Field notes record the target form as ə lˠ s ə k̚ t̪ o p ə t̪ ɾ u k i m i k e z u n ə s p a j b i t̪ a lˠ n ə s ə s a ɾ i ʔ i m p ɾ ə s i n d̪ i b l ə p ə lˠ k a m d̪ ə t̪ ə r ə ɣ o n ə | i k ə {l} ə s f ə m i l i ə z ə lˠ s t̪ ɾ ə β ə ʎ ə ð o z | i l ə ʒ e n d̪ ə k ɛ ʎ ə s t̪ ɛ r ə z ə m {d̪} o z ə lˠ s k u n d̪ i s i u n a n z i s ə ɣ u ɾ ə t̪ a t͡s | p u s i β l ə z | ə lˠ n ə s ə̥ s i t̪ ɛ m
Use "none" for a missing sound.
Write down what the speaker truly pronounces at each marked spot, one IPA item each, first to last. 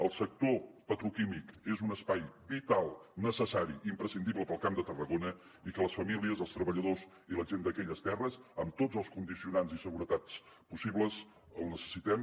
l, t̪

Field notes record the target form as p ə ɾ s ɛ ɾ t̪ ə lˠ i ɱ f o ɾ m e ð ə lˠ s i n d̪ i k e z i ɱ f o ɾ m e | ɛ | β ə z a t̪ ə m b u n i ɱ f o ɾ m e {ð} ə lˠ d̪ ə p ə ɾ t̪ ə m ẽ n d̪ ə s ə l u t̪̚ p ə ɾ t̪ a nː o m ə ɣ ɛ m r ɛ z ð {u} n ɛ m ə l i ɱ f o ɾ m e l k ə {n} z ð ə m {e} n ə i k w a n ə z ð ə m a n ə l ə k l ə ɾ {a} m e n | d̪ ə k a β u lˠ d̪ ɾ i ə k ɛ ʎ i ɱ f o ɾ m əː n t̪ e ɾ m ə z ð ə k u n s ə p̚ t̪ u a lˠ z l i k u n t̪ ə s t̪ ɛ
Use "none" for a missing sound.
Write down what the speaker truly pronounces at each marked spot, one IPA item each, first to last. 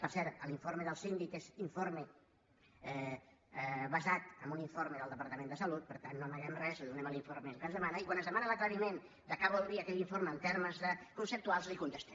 ð, u, n, a, i

